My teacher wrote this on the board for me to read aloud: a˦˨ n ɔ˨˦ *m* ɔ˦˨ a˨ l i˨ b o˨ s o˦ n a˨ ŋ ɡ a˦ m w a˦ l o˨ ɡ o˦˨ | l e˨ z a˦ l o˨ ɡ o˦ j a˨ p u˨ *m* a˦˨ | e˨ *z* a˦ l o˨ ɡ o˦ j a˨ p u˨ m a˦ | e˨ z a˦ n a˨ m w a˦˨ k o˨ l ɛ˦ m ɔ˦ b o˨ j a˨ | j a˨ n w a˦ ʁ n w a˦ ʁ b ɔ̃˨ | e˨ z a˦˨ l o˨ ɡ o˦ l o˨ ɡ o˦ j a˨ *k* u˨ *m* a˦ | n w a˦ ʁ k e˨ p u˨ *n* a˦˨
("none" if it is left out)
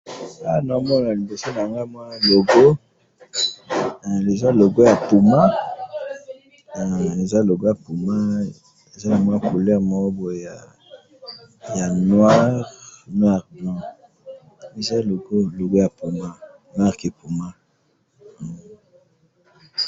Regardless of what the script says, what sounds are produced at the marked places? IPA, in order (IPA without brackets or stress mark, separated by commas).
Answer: m, m, z, p, m, m